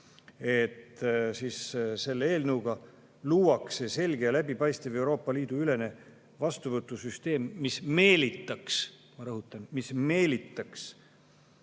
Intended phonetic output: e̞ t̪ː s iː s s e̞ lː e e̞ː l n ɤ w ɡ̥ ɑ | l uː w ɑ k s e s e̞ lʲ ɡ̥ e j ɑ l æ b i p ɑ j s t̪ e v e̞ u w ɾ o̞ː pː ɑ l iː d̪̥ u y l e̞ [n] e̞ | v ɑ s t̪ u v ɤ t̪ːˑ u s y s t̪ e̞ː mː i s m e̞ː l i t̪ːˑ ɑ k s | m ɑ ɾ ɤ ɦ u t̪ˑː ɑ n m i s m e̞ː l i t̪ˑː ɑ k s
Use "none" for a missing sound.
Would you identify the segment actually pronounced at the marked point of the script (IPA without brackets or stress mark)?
n